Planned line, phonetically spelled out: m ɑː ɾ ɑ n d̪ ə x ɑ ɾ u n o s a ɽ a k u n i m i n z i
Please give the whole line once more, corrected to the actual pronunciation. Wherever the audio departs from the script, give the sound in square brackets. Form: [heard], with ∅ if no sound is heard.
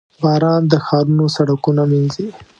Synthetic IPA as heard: [b] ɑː ɾ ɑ n d̪ ə x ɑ ɾ u n o s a ɽ a k u n [a] m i n z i